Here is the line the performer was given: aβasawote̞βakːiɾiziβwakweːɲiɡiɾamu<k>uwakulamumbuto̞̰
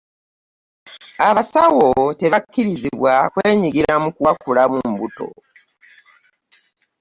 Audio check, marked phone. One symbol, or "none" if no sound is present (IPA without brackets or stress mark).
k